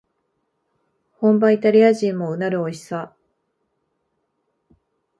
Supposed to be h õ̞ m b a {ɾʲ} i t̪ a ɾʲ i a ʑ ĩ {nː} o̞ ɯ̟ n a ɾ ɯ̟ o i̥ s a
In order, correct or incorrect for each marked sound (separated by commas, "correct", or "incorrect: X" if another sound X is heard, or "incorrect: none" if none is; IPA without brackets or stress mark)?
incorrect: none, incorrect: mː